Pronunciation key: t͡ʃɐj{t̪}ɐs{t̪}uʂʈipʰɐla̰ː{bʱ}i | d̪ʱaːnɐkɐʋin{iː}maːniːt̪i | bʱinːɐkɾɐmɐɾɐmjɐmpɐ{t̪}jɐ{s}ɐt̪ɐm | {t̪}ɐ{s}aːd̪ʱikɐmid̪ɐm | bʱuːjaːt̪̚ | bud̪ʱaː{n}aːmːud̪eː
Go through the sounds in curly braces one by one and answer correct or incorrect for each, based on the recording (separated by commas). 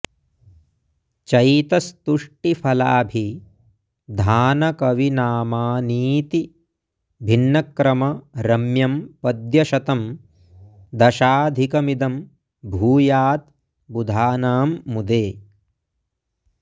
correct, correct, correct, incorrect, incorrect, incorrect, incorrect, incorrect, correct